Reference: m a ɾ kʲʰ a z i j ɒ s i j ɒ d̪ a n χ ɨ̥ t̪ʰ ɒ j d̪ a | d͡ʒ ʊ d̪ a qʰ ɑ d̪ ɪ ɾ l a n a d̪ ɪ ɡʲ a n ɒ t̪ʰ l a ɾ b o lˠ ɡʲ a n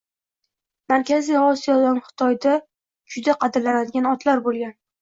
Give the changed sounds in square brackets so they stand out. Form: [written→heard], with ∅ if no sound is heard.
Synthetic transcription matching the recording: m a ɾ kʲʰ a z i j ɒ s i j ɒ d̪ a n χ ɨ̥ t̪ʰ ɒ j d̪ a | d͡ʒ ʊ d̪ a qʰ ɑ d̪ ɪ ɾ l a n a d̪ ɪ ɡʲ a n ɒ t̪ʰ l a ɾ b o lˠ ɡʲ a n